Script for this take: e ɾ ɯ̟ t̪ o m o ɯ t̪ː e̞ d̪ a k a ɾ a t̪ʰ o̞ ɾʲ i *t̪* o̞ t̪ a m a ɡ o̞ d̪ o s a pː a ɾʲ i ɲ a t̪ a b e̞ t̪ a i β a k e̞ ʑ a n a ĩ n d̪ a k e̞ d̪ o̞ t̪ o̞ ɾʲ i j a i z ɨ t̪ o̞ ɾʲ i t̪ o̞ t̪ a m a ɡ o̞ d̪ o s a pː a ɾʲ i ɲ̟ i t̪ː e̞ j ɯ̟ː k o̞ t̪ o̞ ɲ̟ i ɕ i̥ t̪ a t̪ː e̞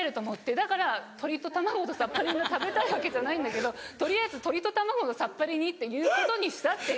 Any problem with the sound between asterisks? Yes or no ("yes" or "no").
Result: no